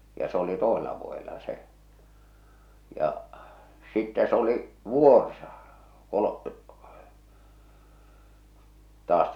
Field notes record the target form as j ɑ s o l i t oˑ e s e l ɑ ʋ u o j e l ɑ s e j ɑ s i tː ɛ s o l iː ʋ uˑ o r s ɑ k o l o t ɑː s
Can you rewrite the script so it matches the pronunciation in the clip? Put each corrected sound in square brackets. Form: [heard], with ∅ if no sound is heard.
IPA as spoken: j ɑ s o l i t oˑ e s e l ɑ ʋ u o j e l ɑ s e j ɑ s i tː [æ] s o l [i] ʋ uˑ o r s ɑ k o l o t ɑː s